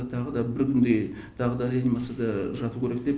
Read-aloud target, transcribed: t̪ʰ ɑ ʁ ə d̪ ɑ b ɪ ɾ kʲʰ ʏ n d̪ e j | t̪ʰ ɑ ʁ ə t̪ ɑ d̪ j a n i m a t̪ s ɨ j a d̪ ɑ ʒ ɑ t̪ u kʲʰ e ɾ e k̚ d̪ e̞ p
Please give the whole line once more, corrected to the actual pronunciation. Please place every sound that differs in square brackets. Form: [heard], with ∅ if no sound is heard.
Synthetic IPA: t̪ʰ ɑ ʁ ə d̪ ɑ b ɪ ɾ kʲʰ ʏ n d̪ e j | t̪ʰ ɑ ʁ ə [d̪] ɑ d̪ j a n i m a t̪ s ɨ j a d̪ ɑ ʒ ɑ t̪ u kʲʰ e ɾ e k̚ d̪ e̞ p

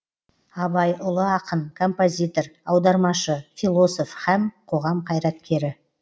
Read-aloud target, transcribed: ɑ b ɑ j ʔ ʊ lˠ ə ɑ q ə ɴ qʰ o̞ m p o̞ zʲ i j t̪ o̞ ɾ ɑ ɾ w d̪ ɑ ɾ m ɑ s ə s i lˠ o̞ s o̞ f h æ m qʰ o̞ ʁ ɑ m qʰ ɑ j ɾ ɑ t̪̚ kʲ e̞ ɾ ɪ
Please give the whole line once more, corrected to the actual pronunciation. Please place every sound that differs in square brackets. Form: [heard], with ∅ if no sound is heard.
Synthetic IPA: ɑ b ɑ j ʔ ʊ lˠ ə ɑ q ə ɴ [kʰ] o̞ m p o̞ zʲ i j t̪ o̞ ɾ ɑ [∅] w d̪ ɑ ɾ m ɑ [ʃ] ə [f] i lˠ o̞ s o̞ f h æ m qʰ o̞ ʁ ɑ m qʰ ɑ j ɾ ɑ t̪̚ kʲ e̞ ɾ ɪ

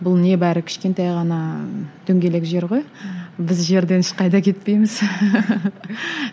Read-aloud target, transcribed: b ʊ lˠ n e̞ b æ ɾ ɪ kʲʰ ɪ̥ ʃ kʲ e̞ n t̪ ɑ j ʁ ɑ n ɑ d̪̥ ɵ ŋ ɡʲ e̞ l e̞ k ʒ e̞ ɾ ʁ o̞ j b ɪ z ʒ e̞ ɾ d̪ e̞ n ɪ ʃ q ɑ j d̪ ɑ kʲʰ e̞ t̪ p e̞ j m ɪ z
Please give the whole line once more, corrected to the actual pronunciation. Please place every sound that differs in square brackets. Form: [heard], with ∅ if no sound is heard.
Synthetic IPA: b ʊ lˠ n e̞ b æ ɾ ɪ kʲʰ ɪ̥ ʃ kʲ e̞ n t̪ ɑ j ʁ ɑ n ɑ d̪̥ ɵ ŋ ɡʲ e̞ l e̞ k ʒ e̞ ɾ ʁ o̞ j b ɪ z ʒ e̞ ɾ d̪ e̞ n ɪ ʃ q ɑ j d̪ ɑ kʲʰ e̞ t̪ p e̞ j m ɪ z

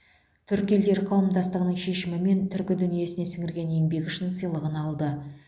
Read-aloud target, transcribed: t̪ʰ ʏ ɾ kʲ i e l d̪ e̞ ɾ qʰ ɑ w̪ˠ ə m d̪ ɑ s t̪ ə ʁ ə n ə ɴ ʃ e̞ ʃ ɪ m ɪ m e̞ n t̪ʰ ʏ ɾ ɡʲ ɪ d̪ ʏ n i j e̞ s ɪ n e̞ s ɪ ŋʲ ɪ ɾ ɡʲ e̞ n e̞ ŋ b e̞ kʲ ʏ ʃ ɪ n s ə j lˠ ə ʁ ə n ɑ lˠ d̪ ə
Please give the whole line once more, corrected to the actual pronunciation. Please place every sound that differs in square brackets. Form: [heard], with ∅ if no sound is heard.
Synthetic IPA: t̪ʰ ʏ ɾ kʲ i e l d̪ e̞ ɾ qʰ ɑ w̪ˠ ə m d̪ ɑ s t̪ ə ʁ ə n ə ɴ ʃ e̞ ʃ ɪ m ɪ m e̞ n t̪ʰ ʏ ɾ [kʲ] ɪ d̪ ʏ n i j e̞ s ɪ n e̞ s ɪ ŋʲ ɪ ɾ ɡʲ e̞ n e̞ ŋ b e̞ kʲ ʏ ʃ ɪ n s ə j lˠ ə ʁ ə n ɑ lˠ d̪ ə

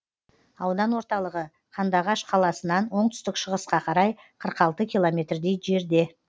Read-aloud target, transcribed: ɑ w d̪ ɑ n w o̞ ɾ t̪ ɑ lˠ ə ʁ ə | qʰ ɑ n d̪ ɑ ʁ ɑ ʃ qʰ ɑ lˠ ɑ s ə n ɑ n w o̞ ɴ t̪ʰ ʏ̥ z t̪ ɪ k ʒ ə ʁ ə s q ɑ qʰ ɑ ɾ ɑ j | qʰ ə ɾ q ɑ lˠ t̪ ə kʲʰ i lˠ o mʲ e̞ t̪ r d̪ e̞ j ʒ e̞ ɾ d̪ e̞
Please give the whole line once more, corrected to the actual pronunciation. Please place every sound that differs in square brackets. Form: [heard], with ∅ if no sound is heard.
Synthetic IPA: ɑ w d̪ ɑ n w o̞ ɾ t̪ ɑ lˠ ə ʁ ə | qʰ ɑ n d̪ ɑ ʁ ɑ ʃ qʰ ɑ lˠ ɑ s ə n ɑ n w o̞ ɴ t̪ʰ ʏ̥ [s] t̪ ɪ k [ʃ] ə ʁ ə s q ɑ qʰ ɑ ɾ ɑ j | qʰ ə ɾ q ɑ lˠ t̪ ə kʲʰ i lˠ o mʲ e̞ t̪ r d̪ e̞ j ʒ e̞ ɾ d̪ e̞

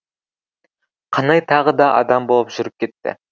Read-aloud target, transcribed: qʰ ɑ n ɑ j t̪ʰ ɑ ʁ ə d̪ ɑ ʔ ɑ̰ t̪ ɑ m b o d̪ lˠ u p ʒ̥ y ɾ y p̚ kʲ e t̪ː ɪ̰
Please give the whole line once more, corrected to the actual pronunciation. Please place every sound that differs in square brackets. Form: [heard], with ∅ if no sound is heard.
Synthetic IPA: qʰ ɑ n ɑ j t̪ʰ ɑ ʁ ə d̪ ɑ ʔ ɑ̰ [d̪] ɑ m b o [∅] lˠ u p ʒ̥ y ɾ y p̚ kʲ e t̪ː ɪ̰

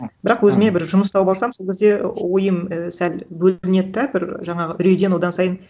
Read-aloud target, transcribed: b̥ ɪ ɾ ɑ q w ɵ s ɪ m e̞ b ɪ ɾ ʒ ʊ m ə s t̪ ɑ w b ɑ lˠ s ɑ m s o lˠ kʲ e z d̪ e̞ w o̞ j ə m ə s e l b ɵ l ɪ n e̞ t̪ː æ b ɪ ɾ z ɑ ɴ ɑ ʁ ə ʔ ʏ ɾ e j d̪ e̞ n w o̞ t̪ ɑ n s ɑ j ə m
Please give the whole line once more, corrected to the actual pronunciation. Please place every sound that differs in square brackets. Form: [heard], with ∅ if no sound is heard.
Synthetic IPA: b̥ ɪ ɾ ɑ q w ɵ [z] ɪ m e̞ b ɪ ɾ ʒ ʊ m ə s t̪ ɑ w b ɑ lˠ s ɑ m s o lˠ kʲ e z d̪ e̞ w o̞ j ə m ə s [æ] l b ɵ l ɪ n e̞ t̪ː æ b ɪ ɾ [ʒ] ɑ ɴ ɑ ʁ ə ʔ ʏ ɾ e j d̪ e̞ n w o̞ [d̪] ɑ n s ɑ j ə [n]

